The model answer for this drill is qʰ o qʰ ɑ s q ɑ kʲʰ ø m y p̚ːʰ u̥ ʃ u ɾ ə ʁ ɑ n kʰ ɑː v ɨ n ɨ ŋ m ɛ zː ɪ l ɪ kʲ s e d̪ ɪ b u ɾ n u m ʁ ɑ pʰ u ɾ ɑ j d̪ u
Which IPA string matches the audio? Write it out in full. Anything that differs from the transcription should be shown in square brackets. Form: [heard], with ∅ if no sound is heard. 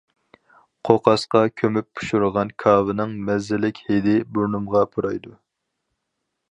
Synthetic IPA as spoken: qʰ o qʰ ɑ s q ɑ kʲʰ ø m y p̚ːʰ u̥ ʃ u ɾ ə ʁ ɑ n kʰ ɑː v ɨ n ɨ ŋ m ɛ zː ɪ l ɪ kʲ [h] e d̪ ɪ b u ɾ n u m ʁ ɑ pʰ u ɾ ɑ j d̪ u

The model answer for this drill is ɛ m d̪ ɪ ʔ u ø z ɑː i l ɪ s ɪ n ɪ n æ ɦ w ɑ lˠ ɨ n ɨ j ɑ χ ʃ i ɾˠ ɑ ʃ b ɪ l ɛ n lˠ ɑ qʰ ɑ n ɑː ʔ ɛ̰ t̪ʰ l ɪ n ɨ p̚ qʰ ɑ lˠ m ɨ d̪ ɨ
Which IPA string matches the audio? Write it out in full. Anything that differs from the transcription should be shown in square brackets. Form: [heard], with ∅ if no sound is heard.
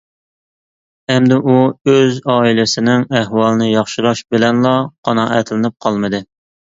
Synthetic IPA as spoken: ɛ m d̪ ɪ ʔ u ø z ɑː i l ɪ s ɪ n ɪ [ŋ] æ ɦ w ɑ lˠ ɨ n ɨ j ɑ χ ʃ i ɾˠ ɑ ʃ b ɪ l ɛ n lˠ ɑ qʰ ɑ n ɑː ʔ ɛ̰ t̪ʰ l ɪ n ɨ p̚ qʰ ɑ lˠ m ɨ d̪ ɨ

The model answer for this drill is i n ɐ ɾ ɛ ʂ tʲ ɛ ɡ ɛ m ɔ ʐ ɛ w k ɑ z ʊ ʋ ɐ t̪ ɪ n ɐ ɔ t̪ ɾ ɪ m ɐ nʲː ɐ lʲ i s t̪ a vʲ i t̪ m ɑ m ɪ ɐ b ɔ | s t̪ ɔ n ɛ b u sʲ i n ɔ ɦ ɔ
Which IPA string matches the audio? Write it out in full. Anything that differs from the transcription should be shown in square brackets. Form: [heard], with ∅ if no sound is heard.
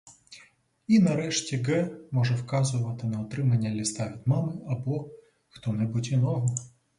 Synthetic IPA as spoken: i n ɐ ɾ ɛ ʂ tʲ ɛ ɡ ɛ m ɔ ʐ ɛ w k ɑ z ʊ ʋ ɐ t̪ ɪ n ɐ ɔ t̪ ɾ ɪ m ɐ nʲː ɐ lʲ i s t̪ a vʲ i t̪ m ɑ m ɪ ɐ b ɔ | [x] t̪ ɔ n ɛ b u [tʲ] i n ɔ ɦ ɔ

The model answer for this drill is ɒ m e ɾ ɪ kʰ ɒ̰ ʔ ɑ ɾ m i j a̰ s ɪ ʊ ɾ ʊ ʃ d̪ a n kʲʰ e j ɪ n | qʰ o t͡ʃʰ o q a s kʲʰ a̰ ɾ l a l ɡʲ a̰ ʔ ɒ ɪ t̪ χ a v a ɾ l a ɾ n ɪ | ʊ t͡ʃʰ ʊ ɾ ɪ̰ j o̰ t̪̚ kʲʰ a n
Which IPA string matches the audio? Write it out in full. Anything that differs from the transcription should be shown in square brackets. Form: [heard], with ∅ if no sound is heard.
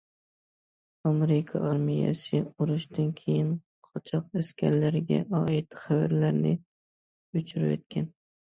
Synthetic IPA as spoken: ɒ m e ɾ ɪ kʰ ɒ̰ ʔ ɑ ɾ m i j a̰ s ɪ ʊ ɾ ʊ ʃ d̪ a n kʲʰ e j ɪ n | qʰ [ɒ] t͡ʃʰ [ɒ] q a s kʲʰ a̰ ɾ l a [ɾ] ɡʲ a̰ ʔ ɒ ɪ t̪ χ a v a ɾ l a ɾ n ɪ | ʊ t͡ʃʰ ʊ ɾ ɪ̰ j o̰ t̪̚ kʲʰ a n

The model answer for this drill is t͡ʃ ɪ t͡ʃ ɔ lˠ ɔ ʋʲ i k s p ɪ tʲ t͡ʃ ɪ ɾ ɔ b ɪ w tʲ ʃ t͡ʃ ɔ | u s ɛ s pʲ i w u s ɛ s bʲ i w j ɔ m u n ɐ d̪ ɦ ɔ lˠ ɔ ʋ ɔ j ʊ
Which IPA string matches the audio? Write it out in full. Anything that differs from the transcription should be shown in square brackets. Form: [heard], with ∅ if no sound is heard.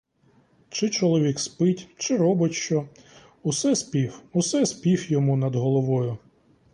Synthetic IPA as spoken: t͡ʃ ɪ t͡ʃ ɔ lˠ ɔ ʋʲ i k s p ɪ tʲ t͡ʃ ɪ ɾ ɔ b ɪ [∅] tʲ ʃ t͡ʃ ɔ | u s ɛ s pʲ i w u s ɛ s [pʲ] i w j ɔ m u n ɐ d̪ ɦ ɔ lˠ ɔ ʋ ɔ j ʊ

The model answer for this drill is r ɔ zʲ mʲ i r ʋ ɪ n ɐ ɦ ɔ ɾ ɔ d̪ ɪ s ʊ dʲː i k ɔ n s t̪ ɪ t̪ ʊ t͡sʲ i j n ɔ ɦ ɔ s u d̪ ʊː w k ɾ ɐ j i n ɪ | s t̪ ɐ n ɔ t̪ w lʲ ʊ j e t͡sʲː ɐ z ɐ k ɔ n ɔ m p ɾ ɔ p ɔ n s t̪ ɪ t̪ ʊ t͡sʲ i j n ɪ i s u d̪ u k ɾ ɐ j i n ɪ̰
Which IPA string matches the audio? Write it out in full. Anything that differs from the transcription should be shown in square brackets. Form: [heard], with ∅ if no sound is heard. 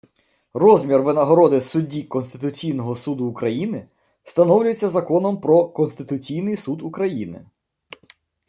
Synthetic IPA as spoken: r ɔ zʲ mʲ i r ʋ ɪ n ɐ ɦ ɔ ɾ ɔ d̪ ɪ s ʊ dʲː i k ɔ n s t̪ ɪ t̪ ʊ t͡sʲ i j n ɔ ɦ ɔ s u d̪ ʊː [∅] k ɾ ɐ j i n ɪ | s t̪ ɐ n ɔ [∅] w lʲ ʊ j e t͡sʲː ɐ z ɐ k ɔ n ɔ m p ɾ ɔ [k] ɔ n s t̪ ɪ t̪ ʊ t͡sʲ i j n ɪ [j] s u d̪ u k ɾ ɐ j i n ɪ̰

